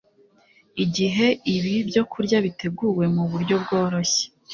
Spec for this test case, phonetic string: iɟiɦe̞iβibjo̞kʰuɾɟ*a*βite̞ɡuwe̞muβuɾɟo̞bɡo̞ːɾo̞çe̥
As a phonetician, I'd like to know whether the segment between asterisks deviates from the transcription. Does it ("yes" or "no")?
no